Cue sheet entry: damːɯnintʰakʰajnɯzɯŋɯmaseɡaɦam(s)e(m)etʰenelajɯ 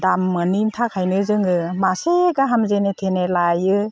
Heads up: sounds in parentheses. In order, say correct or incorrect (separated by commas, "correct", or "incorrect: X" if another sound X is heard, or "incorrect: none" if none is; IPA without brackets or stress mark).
incorrect: z, incorrect: n